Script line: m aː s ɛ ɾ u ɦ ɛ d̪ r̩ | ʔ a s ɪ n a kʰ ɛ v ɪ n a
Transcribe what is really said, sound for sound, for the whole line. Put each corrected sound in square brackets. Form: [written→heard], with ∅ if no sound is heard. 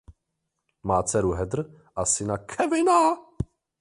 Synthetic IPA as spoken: m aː [s→t͡s] ɛ ɾ u ɦ ɛ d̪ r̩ | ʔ a s ɪ n a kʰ ɛ v ɪ n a